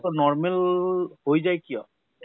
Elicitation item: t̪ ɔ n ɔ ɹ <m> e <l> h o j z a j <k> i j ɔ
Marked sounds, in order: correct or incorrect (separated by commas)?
correct, correct, correct